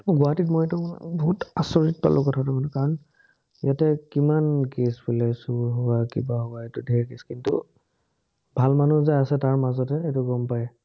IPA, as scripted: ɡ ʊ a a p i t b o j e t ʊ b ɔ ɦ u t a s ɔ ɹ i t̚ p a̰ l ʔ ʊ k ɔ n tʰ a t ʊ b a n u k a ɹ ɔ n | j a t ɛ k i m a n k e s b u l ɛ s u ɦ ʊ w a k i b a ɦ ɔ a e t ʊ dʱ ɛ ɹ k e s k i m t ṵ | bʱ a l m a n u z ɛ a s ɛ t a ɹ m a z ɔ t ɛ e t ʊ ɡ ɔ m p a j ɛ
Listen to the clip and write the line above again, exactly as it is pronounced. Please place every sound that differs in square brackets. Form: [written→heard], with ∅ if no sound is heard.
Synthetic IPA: ɡ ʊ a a [p→t] i t [b→m] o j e t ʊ b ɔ ɦ u t a s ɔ ɹ i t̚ p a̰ l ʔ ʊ k ɔ [n→∅] tʰ a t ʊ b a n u k a ɹ ɔ n | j a t ɛ k i m a n k e s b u l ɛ s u ɦ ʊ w a k i b a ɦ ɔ a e t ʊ dʱ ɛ ɹ k e s k i [m→n] t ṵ | bʱ a l m a n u z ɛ a s ɛ t a ɹ m a z ɔ t ɛ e t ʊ ɡ ɔ m p a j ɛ